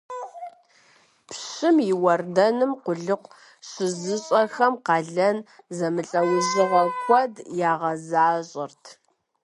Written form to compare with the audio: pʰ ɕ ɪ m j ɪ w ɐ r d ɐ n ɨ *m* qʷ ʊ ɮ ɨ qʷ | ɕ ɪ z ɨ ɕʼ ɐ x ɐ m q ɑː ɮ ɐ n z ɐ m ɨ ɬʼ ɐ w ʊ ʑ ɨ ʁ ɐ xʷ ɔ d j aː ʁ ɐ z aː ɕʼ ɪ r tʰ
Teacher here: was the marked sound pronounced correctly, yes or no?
yes